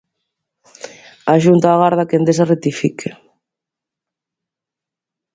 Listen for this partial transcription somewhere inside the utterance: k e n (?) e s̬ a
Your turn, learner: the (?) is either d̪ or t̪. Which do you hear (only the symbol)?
d̪